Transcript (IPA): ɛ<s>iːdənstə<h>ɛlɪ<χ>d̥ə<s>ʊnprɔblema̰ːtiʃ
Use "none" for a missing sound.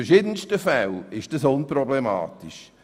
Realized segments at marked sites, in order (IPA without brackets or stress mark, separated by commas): ʃ, f, ʃ, s